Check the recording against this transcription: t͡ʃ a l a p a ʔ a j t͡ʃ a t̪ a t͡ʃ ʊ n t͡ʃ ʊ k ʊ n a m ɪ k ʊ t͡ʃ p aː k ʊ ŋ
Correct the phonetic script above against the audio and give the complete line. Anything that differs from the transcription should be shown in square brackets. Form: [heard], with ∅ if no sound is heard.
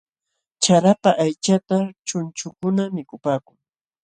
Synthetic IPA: t͡ʃ a [ɾ] a p a ʔ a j t͡ʃ a t̪ a t͡ʃ ʊ n t͡ʃ ʊ k ʊ n a m ɪ k ʊ [∅] p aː k ʊ ŋ